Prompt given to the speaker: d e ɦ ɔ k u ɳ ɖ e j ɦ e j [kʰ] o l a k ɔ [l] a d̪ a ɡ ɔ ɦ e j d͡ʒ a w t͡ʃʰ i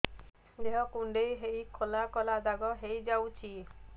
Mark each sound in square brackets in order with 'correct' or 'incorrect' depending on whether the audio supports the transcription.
correct, correct

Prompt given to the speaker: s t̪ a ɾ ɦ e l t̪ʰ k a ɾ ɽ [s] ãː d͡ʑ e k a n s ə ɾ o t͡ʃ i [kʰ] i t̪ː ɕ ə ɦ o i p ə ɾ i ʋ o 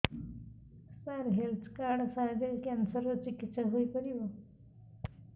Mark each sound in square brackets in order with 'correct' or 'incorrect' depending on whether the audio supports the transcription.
correct, incorrect: k

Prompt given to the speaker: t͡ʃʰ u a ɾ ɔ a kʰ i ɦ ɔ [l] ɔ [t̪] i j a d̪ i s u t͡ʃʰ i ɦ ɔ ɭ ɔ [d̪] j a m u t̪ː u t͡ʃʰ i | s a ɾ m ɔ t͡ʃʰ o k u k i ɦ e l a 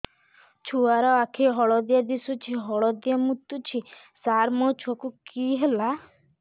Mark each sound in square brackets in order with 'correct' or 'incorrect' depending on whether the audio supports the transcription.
incorrect: ɭ, incorrect: d̪, correct

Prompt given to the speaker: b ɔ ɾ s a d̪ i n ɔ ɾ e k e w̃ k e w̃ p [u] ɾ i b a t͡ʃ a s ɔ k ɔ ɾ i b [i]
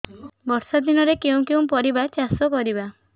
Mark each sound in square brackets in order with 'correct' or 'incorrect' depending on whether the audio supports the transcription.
incorrect: ɔ, incorrect: a

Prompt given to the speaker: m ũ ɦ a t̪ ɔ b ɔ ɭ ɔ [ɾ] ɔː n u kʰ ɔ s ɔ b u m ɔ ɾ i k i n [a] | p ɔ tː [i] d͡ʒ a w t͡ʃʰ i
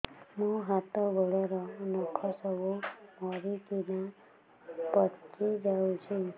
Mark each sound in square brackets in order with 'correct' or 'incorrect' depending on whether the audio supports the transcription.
correct, correct, correct

